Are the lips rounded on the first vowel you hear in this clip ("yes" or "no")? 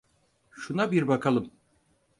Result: yes